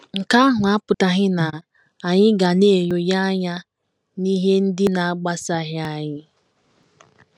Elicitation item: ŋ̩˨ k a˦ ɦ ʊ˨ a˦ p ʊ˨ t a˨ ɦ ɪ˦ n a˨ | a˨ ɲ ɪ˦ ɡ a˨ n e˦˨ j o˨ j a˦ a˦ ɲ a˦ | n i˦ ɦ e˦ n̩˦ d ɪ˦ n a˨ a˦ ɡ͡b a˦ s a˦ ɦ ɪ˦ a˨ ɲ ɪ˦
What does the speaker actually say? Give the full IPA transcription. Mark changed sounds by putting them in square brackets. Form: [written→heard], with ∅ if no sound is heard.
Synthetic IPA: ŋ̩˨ k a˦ ɦ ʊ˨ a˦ p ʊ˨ t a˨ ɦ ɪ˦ n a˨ | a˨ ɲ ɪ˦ ɡ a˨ n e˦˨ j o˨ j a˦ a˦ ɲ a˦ | n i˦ ɦ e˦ n̩˦ d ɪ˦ n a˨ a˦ ɡ͡b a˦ s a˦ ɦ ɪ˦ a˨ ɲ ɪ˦